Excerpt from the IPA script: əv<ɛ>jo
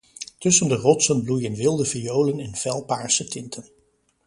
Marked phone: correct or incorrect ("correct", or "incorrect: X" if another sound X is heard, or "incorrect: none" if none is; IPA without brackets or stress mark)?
incorrect: i